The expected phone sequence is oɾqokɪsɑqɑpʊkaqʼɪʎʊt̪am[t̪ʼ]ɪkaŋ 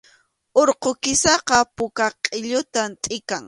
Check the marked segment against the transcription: correct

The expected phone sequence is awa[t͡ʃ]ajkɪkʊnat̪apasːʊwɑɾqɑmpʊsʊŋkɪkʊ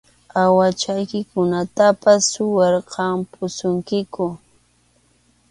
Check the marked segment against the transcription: correct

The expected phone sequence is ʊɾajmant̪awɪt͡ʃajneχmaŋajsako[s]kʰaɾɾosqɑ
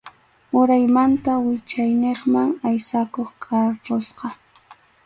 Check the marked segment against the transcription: incorrect: χ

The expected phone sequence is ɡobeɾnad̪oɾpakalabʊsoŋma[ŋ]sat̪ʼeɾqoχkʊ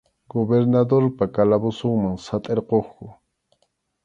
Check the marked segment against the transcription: correct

